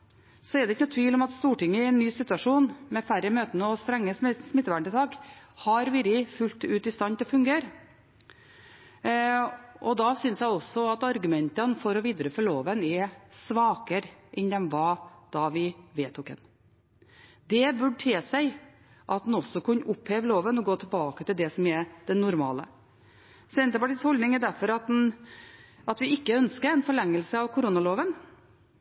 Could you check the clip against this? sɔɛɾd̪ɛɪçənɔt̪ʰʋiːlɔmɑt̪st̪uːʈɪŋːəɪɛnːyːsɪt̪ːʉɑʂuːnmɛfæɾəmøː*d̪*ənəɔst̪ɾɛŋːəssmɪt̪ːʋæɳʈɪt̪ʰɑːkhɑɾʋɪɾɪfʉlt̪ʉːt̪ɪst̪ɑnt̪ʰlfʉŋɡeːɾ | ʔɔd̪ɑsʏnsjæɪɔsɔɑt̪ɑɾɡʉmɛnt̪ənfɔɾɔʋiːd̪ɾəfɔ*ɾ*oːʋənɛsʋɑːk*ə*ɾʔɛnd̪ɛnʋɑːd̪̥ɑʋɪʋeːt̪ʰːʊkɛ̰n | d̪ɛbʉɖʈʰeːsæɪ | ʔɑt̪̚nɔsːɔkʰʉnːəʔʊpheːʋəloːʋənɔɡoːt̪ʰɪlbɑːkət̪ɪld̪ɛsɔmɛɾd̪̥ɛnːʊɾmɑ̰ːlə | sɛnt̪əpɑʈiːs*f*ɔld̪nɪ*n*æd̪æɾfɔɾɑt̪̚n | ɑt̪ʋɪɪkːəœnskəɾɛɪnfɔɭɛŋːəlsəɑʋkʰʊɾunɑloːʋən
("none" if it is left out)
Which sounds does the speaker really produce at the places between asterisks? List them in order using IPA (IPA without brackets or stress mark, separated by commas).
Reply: t̪, ɭ, ə, h, ŋ